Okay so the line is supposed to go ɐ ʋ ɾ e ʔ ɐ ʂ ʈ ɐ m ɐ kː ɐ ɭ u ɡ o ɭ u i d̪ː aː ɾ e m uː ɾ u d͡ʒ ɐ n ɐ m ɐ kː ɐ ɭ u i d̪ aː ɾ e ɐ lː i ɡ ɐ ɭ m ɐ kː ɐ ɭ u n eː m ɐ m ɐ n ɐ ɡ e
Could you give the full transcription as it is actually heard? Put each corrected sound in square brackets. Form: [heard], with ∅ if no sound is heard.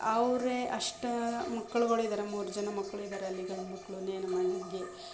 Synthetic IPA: ɐ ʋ ɾ e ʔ ɐ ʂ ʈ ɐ m ɐ kː ɐ ɭ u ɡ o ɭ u i [d̪] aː ɾ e m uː ɾ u d͡ʒ ɐ n ɐ m ɐ kː ɐ ɭ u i d̪ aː ɾ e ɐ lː i ɡ ɐ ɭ m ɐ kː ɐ ɭ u n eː [n] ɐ m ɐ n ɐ ɡ e